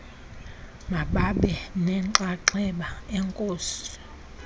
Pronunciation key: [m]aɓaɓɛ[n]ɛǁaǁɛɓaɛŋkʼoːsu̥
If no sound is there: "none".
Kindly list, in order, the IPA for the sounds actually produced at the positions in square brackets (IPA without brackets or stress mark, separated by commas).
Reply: m, n